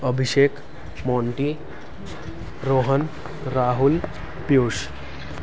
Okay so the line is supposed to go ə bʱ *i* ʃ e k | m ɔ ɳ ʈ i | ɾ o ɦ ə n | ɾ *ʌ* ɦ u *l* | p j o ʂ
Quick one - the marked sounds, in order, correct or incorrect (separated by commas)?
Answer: correct, incorrect, correct